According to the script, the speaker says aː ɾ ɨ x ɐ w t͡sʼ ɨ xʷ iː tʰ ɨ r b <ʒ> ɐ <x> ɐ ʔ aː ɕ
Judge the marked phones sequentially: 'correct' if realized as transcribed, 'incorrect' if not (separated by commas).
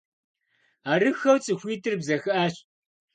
incorrect, correct